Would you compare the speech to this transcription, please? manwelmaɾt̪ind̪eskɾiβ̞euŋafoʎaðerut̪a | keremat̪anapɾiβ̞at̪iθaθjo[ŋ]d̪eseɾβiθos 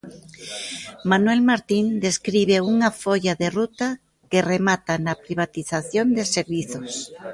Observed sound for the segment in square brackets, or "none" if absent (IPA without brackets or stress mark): n